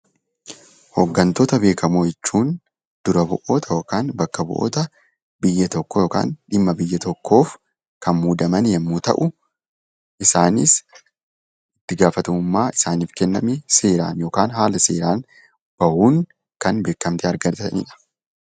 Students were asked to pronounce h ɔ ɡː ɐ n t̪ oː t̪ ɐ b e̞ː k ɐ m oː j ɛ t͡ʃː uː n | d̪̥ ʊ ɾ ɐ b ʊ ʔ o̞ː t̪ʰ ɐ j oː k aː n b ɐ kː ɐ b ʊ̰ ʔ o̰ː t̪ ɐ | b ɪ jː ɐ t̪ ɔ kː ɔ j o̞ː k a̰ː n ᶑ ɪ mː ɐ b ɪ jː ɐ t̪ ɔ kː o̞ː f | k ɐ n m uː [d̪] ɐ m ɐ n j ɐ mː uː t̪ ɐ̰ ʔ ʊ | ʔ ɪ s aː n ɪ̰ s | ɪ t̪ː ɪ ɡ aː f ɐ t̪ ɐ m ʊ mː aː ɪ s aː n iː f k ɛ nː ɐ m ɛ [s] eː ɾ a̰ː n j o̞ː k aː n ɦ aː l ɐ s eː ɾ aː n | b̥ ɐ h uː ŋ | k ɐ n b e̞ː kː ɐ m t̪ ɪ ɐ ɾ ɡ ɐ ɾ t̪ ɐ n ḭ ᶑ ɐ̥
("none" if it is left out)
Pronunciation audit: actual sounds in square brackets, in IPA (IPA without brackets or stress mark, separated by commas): d̪, s